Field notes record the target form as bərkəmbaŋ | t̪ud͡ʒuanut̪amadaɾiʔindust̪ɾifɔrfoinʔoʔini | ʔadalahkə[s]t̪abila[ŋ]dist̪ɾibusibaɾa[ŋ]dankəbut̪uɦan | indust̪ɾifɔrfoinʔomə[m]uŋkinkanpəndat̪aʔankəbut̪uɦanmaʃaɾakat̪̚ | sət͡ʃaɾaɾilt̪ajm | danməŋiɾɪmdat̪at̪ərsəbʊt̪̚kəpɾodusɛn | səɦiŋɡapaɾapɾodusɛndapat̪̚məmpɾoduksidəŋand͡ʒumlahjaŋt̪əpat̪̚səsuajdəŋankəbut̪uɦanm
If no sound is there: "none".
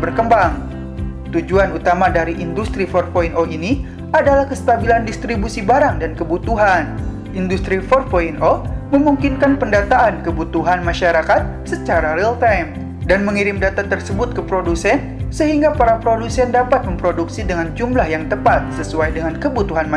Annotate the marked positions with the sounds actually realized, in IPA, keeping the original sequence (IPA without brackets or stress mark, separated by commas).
s, n, ŋ, m